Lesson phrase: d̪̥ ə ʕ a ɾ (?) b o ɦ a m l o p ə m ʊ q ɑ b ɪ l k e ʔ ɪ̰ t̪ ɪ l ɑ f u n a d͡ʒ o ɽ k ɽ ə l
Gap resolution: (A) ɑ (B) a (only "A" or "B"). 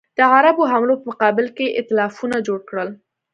B